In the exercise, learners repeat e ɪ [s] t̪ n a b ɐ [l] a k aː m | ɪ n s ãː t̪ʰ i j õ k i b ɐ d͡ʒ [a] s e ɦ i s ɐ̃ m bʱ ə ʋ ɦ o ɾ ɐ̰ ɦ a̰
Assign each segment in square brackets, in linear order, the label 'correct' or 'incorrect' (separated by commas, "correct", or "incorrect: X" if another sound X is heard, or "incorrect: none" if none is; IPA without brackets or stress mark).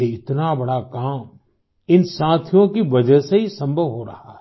incorrect: none, incorrect: ɽ, incorrect: ə